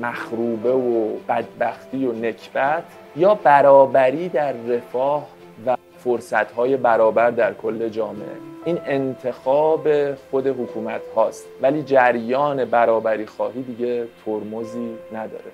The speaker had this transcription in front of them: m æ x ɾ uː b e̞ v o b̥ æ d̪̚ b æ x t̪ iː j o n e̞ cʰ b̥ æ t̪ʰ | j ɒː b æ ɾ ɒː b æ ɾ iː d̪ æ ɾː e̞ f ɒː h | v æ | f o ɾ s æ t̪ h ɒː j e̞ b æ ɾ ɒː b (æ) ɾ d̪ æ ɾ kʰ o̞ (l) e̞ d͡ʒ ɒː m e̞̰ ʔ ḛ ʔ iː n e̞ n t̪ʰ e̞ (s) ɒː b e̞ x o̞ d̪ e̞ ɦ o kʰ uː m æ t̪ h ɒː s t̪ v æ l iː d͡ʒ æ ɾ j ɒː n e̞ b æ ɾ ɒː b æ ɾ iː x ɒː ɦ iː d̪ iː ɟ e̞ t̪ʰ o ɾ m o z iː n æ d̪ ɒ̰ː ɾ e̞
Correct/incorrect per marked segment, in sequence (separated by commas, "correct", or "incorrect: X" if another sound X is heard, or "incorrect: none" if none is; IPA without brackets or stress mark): correct, incorrect: lː, incorrect: x